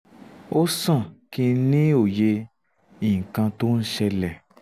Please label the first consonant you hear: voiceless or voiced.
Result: voiceless